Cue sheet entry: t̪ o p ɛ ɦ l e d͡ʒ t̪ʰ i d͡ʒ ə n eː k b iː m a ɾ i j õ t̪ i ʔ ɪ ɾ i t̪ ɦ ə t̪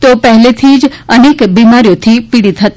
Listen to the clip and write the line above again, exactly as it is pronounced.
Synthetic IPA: t̪ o p ɛ ɦ l e t̪ʰ i d͡ʒ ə n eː k b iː m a ɾ i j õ t̪ʰ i p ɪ ɽ i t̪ ɦ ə t̪